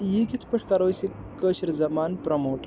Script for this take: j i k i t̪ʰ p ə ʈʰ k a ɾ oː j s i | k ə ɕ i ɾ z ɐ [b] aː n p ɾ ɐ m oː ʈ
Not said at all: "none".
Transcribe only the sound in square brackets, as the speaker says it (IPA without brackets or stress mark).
m